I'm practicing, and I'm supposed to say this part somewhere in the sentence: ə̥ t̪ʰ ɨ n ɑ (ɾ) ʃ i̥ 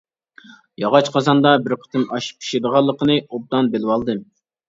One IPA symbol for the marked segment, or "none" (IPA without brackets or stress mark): none